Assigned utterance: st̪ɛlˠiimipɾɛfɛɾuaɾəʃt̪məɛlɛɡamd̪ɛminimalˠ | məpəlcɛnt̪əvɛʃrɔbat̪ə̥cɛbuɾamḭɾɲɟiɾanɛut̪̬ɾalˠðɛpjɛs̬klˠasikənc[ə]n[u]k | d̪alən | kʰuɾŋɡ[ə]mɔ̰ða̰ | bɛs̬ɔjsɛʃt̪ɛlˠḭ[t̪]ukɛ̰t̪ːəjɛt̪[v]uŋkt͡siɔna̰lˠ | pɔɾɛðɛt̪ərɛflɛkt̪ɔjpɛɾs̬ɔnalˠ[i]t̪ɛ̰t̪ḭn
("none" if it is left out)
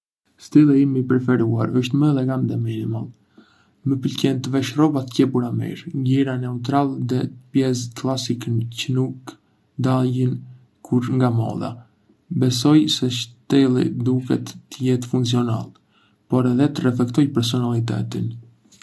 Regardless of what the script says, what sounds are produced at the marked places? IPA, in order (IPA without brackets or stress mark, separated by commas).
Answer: ə, u, a, d̪, f, i